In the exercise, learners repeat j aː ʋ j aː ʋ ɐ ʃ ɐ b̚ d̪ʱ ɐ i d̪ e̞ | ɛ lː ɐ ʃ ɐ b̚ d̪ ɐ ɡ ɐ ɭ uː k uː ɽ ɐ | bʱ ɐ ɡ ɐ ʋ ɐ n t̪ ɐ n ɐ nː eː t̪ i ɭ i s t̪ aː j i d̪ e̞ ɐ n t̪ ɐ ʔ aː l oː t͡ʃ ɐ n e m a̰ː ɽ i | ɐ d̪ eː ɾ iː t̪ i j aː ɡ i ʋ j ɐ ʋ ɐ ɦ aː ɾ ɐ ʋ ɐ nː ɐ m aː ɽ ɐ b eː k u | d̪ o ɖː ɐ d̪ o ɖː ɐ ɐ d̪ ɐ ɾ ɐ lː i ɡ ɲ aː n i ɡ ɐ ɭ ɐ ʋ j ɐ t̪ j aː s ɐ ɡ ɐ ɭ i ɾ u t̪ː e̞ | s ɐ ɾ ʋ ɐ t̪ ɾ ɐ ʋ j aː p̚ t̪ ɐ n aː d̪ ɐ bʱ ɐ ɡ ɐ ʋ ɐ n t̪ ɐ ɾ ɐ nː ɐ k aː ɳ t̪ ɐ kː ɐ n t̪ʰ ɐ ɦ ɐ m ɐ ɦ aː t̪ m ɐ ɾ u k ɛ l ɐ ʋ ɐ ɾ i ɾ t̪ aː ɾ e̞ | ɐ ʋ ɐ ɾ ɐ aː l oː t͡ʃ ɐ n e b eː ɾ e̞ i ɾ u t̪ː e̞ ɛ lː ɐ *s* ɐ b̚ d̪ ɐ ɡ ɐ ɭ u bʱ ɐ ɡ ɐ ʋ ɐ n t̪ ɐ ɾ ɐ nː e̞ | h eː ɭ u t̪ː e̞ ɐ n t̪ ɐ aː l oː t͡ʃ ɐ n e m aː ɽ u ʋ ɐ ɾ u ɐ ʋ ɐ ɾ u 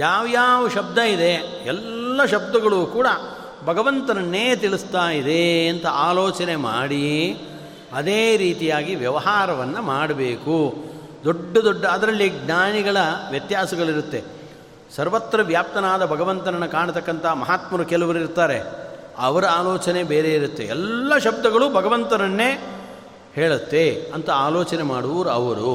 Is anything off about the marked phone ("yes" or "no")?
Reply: yes